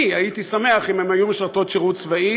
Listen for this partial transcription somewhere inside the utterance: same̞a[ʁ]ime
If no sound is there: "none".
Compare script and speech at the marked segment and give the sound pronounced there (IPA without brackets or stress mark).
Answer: χ